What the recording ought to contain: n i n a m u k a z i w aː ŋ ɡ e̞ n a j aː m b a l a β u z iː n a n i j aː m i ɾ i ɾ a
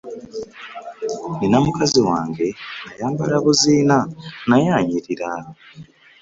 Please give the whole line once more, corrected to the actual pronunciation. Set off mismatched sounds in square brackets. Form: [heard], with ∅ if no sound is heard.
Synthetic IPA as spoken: n i n a m u k a z i w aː ŋ ɡ e̞ n a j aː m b a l a β u z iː n a n [a] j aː [ɲ] i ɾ i ɾ a